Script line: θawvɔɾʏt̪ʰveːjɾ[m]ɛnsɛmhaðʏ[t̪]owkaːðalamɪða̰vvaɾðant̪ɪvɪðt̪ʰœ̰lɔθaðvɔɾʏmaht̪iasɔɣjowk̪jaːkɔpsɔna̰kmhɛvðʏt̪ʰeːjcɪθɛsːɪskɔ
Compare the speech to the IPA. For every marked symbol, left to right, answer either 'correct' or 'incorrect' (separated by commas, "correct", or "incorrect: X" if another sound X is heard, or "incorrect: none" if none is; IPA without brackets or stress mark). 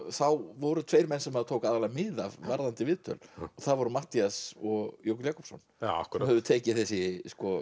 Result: correct, incorrect: t̪ʰ